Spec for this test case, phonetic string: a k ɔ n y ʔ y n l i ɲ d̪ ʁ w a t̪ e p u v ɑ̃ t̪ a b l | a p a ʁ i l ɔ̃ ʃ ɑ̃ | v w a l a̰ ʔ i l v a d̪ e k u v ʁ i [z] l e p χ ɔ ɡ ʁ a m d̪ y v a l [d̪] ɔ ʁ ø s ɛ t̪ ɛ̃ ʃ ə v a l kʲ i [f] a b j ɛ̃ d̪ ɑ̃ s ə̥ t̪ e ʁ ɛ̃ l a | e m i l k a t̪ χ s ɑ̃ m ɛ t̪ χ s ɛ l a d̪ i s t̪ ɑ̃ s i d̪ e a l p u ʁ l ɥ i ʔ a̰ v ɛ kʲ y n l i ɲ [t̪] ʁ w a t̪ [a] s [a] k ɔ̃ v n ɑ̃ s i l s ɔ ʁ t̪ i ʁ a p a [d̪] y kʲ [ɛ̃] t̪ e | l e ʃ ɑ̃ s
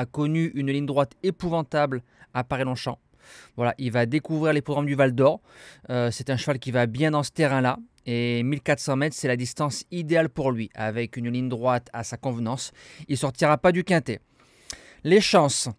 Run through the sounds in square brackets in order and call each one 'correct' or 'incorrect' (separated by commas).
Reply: incorrect, correct, incorrect, incorrect, correct, correct, correct, correct